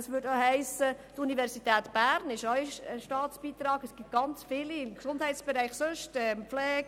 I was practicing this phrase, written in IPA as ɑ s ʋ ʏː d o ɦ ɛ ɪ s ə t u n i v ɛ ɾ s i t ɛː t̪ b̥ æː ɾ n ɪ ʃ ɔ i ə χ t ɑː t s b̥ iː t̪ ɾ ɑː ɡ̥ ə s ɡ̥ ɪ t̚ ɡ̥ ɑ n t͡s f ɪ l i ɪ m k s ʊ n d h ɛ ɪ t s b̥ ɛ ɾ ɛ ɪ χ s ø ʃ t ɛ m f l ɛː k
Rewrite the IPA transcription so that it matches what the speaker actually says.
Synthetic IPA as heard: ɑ s ʋ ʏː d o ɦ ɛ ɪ s ə t u n i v ɛ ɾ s i t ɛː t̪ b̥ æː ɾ n ɪ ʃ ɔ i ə ʃ t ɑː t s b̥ iː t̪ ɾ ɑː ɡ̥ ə s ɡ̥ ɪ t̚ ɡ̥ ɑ n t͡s f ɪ l i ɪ m k s ʊ n d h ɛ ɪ t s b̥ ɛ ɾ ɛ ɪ χ s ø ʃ t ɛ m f l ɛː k